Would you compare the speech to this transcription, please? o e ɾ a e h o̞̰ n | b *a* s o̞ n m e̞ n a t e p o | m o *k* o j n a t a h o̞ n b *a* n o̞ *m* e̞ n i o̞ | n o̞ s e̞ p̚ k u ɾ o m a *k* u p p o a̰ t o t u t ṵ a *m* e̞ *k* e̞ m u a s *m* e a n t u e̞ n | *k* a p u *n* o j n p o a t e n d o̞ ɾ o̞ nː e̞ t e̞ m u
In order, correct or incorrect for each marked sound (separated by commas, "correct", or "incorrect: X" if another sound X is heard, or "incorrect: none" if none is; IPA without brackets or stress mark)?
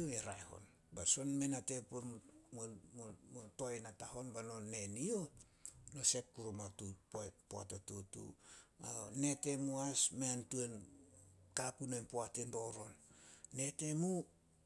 correct, incorrect: t, correct, incorrect: n, incorrect: t, incorrect: n, incorrect: t, correct, correct, correct